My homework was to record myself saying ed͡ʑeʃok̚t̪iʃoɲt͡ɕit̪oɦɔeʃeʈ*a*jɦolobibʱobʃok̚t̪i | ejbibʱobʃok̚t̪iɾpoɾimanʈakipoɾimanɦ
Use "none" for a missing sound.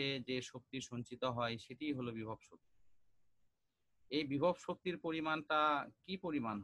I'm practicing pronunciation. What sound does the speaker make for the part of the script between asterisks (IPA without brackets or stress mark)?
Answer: i